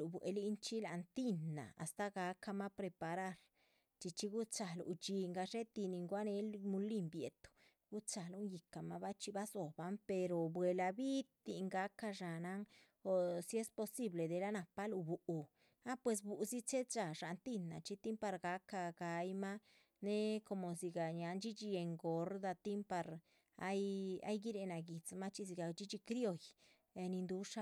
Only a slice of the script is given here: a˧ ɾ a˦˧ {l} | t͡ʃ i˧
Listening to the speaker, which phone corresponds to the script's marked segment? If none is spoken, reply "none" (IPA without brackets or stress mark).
ɾ